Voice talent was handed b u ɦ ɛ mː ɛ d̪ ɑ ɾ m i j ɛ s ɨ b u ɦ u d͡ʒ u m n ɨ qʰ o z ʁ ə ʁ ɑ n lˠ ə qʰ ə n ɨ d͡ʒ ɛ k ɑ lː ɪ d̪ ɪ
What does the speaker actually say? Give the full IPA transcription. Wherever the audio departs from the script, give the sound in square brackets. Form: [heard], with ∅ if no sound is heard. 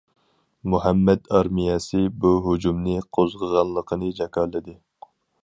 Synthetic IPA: [m] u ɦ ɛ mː ɛ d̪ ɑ ɾ m i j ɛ s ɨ b u ɦ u d͡ʒ u m n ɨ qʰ o z ʁ ə ʁ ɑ n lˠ ə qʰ ə n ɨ d͡ʒ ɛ k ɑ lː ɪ d̪ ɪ

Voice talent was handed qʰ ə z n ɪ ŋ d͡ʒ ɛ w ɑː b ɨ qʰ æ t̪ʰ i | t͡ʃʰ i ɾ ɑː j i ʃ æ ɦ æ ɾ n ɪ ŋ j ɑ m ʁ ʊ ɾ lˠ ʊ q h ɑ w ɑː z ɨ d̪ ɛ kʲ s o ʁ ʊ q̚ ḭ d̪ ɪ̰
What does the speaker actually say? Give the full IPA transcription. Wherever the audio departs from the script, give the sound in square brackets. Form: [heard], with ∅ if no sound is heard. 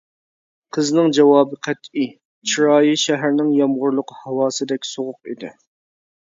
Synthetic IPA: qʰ ə z n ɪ ŋ d͡ʒ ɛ w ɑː b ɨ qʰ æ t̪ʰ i | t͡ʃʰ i ɾ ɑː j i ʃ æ ɦ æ ɾ n ɪ ŋ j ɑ m ʁ ʊ ɾ lˠ ʊ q h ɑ w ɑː [s] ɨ d̪ ɛ kʲ s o ʁ ʊ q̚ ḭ d̪ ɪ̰

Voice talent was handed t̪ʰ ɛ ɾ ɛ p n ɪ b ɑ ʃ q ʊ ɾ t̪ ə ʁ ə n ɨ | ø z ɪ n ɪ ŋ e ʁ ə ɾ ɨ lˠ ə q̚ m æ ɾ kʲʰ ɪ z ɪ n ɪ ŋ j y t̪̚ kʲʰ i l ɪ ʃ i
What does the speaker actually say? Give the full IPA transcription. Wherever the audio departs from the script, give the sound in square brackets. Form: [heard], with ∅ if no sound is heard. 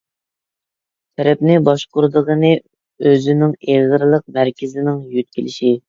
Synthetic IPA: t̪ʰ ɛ ɾ ɛ p n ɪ b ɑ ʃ q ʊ ɾ [d̪] ə ʁ ə n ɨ | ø z ɪ n ɪ ŋ e ʁ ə ɾ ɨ lˠ ə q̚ m æ ɾ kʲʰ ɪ z ɪ n ɪ ŋ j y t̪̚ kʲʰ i l ɪ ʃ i

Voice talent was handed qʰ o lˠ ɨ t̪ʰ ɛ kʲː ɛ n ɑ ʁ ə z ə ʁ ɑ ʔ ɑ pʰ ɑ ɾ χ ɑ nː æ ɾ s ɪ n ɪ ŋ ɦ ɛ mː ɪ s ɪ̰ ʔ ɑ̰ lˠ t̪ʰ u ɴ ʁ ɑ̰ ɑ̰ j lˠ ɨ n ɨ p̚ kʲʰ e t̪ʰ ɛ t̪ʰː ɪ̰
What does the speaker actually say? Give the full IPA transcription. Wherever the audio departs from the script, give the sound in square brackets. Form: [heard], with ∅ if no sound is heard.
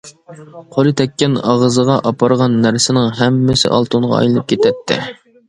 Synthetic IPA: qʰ o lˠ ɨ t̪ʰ ɛ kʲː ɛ n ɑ ʁ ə z ə ʁ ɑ ʔ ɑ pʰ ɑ ɾ [ʁ] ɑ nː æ ɾ s ɪ n ɪ ŋ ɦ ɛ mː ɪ s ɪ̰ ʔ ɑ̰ lˠ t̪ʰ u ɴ ʁ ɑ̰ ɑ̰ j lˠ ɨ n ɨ p̚ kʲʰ e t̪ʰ ɛ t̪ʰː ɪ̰

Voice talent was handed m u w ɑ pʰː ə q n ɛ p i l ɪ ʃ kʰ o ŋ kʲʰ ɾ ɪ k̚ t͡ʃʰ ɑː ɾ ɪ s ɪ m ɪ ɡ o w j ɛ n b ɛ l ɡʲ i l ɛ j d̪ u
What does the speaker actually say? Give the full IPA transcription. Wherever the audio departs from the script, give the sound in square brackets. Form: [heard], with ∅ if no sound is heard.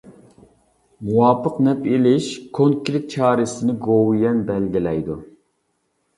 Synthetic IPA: m u w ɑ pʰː ə q n ɛ p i l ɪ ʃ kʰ o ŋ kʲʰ ɾ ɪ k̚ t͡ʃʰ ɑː ɾ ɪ s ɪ [n] ɪ ɡ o w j ɛ n b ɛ l ɡʲ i l ɛ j d̪ u

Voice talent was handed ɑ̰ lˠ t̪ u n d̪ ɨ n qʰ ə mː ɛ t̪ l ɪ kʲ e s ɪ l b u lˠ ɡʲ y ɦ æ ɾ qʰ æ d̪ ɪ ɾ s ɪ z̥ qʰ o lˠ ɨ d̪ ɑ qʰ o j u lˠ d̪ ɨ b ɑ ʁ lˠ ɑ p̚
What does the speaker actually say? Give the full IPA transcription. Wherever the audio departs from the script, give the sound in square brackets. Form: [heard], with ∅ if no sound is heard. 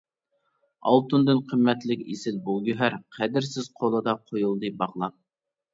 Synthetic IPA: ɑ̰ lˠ t̪ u n d̪ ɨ n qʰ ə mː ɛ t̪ l ɪ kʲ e s ɪ l b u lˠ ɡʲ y ɦ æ ɾ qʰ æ d̪ ɪ ɾ s ɪ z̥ qʰ o lˠ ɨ d̪ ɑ qʰ o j u lˠ d̪ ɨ b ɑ ʁ lˠ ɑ p̚

